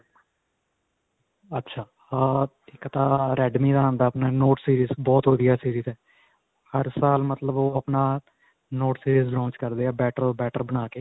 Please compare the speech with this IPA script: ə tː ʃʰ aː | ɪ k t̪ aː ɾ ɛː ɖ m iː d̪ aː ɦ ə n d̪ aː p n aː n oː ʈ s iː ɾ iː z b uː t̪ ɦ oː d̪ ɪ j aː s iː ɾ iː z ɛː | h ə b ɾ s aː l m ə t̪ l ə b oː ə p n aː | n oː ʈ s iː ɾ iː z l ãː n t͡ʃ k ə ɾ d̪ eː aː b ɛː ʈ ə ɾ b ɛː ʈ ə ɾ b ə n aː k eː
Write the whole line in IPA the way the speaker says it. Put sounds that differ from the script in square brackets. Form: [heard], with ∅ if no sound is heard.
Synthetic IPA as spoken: ə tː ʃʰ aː | ɪ k t̪ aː ɾ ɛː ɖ m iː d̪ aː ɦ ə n d̪ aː p n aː n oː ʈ s iː ɾ iː z b [ɔː] t̪ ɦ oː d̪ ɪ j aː s iː ɾ iː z ɛː | h ə [∅] ɾ s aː l m ə t̪ l ə b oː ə p n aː | n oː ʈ s iː ɾ iː z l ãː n t͡ʃ k ə ɾ d̪ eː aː b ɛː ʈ ə ɾ b ɛː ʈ ə ɾ b ə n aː k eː